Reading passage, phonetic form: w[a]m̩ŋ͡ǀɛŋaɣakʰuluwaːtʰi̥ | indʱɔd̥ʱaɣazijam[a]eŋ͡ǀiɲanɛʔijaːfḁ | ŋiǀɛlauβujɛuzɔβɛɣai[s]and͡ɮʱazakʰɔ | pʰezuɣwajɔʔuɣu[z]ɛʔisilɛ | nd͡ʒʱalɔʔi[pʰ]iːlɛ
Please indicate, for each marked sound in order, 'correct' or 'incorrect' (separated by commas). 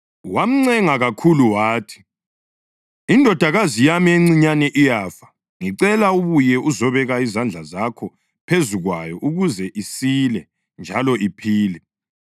correct, incorrect, incorrect, correct, correct